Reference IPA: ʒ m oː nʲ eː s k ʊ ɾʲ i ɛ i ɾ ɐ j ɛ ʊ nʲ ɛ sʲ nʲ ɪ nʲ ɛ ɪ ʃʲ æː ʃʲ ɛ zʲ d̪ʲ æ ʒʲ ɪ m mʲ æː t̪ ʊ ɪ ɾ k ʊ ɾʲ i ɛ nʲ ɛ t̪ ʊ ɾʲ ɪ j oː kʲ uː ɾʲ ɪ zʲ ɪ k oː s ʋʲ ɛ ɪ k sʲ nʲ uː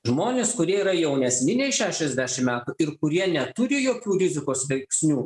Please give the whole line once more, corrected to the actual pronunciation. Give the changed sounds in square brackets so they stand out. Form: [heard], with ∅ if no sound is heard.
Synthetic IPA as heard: ʒ m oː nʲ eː s k ʊ ɾʲ i ɛ i ɾ ɐ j ɛ ʊ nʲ ɛ sʲ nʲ ɪ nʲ ɛ ɪ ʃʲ æː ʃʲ ɛ zʲ d̪ʲ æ [ʃʲ] ɪ m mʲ æː t̪ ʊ ɪ ɾ k ʊ ɾʲ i ɛ nʲ ɛ t̪ ʊ ɾʲ ɪ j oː kʲ uː ɾʲ ɪ zʲ ɪ k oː s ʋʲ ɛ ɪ k sʲ nʲ uː